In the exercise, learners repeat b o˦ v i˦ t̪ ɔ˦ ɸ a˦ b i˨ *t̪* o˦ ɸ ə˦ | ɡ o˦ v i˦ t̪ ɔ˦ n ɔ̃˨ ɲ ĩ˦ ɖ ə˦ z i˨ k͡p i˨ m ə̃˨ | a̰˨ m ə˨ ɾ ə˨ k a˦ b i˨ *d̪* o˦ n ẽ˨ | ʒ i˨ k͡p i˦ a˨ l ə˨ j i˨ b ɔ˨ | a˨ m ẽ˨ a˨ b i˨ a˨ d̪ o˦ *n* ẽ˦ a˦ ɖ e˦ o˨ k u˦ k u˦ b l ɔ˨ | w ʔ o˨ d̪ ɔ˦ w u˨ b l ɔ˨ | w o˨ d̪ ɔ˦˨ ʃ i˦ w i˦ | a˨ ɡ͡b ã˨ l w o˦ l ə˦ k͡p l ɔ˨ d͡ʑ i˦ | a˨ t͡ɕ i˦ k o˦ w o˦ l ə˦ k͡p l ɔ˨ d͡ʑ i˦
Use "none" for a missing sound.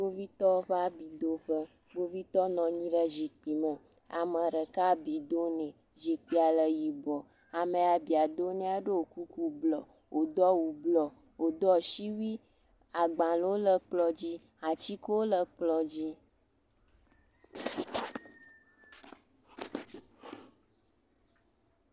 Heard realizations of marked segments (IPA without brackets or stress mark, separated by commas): d̪, d̪, n